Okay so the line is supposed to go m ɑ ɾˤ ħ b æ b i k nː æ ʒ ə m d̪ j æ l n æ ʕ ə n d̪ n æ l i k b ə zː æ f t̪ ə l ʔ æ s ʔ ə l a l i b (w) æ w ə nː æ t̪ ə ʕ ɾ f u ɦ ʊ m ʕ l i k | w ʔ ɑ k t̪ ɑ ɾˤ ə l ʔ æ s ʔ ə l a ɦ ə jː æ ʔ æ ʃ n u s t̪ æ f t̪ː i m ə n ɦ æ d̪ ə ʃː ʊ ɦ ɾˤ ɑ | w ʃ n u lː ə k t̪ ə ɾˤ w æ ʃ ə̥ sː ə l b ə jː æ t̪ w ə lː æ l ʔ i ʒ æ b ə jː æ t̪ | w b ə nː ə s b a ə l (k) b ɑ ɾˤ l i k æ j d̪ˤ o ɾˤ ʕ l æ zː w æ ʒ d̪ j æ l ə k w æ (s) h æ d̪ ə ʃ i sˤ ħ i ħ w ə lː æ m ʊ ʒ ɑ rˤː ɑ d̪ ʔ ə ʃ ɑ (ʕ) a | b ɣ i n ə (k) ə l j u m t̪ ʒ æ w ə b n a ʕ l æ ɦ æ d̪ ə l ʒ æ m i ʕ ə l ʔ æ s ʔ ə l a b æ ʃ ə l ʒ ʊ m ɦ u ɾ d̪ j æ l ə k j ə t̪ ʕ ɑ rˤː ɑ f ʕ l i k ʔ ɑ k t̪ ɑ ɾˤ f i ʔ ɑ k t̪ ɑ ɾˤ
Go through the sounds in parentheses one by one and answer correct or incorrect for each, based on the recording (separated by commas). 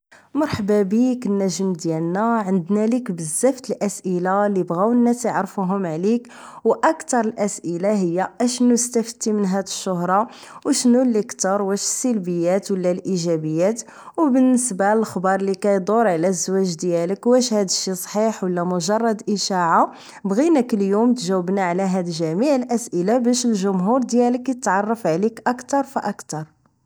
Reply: incorrect, incorrect, incorrect, correct, correct